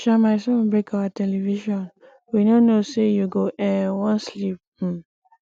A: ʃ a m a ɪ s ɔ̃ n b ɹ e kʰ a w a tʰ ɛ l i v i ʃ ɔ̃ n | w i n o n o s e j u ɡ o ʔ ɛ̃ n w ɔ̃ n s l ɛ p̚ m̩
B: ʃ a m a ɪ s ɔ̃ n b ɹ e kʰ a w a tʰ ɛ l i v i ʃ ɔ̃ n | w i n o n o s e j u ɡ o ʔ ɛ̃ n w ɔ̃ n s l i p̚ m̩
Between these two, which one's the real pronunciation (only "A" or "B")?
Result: B